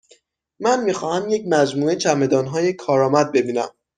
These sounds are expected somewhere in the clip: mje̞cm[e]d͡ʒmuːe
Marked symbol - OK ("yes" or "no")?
no